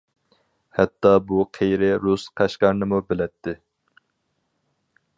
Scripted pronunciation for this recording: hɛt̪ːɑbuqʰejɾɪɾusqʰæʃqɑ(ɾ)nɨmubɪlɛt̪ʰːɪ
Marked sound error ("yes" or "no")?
no